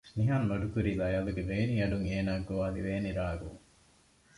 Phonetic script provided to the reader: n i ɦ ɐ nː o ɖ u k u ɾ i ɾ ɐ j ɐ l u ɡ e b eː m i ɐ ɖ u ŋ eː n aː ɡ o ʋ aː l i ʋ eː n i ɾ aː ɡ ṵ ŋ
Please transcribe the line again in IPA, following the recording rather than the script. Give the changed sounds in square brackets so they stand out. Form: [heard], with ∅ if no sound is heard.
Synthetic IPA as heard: n i ɦ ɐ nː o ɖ u k u ɾ i [l] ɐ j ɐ l u ɡ e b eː [n] i ɐ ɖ u ŋ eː n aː ɡ o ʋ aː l i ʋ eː n i ɾ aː ɡ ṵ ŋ